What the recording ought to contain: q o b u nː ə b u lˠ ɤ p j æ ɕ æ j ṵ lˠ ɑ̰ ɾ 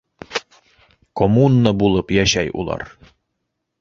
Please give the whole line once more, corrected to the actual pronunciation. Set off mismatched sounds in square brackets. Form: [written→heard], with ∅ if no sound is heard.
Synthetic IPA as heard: [q→k] o [b→m] u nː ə b u lˠ ɤ p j æ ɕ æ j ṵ lˠ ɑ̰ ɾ